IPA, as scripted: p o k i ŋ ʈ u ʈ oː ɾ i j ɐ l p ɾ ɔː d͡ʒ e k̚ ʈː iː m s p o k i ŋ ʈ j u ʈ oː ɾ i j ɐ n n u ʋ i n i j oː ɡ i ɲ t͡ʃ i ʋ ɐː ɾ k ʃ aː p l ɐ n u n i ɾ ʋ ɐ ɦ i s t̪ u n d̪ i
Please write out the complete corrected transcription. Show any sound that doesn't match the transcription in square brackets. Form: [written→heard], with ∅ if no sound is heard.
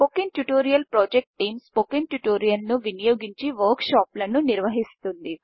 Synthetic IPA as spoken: p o k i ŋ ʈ u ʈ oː ɾ i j ɐ l p ɾ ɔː d͡ʒ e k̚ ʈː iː m s p o k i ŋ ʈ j u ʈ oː ɾ i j ɐ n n u ʋ i n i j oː ɡ i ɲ t͡ʃ i ʋ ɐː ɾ k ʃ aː p l ɐ n u n i ɾ ʋ ɐ ɦ i s t̪ u n d̪ i